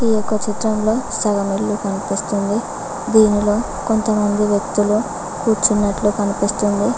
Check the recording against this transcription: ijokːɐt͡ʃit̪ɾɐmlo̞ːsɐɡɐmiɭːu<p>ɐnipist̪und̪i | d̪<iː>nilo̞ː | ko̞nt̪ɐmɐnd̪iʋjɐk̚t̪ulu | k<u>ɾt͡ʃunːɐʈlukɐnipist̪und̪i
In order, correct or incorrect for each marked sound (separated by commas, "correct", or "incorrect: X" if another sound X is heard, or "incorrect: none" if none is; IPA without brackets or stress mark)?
incorrect: k, correct, incorrect: uː